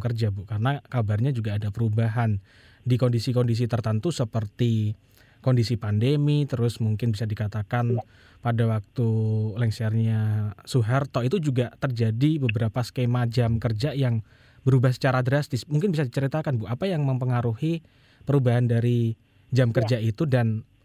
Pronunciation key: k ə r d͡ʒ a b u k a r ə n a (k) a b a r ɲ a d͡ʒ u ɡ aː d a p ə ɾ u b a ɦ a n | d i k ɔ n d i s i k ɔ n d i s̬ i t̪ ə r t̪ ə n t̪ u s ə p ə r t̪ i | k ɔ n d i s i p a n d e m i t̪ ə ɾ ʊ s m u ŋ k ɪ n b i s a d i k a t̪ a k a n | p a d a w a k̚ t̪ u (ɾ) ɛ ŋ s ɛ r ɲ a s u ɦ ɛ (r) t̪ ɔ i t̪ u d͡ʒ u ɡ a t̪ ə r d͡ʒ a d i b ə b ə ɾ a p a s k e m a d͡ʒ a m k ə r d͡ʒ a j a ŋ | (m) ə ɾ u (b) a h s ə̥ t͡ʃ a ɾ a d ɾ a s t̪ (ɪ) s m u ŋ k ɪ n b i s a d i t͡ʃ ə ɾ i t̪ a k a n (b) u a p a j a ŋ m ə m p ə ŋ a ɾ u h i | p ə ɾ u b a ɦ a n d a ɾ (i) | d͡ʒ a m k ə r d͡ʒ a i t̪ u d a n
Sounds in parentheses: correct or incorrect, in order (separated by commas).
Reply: correct, incorrect, correct, incorrect, correct, correct, correct, correct